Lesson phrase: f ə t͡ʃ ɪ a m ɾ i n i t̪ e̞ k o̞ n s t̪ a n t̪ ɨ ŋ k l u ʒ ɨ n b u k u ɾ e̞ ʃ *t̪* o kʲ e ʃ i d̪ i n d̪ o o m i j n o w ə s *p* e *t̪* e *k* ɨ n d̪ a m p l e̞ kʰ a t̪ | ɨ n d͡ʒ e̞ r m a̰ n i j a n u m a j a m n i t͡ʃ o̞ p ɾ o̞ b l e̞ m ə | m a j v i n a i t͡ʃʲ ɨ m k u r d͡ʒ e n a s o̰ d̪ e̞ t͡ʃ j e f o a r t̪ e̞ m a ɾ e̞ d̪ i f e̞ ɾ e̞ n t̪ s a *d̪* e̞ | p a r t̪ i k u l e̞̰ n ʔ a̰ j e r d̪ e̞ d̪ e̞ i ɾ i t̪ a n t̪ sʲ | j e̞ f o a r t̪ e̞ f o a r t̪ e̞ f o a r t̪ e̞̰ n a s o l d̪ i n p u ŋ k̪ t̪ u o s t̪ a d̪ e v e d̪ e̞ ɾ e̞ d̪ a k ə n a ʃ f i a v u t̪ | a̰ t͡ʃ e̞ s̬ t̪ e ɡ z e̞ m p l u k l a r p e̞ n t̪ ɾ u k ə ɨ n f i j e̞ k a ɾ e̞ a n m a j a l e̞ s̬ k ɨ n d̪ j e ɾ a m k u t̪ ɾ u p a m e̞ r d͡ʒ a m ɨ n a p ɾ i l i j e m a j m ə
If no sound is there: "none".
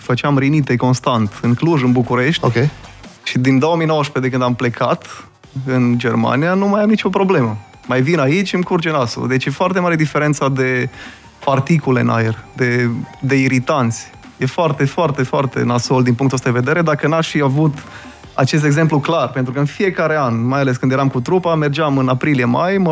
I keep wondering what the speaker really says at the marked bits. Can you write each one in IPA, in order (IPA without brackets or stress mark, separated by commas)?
t̪, p, d̪, k, d̪